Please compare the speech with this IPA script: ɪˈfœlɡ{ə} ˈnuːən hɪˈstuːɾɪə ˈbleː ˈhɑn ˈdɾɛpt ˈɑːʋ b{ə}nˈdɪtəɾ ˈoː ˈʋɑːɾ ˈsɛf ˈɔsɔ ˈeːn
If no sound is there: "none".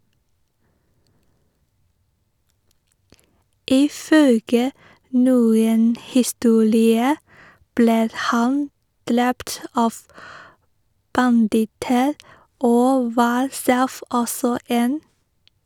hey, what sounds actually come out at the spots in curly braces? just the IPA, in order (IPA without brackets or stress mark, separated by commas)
ə, ɑ